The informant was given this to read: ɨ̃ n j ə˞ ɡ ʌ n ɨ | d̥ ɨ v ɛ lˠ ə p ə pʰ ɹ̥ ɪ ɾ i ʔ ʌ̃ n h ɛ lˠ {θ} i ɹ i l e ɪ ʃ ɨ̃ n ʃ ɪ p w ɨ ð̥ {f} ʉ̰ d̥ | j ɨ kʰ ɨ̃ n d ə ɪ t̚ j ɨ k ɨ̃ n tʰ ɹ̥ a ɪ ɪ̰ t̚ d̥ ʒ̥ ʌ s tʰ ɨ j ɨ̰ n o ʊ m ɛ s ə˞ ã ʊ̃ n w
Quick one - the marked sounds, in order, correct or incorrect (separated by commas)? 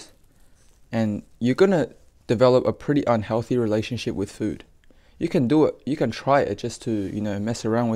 correct, correct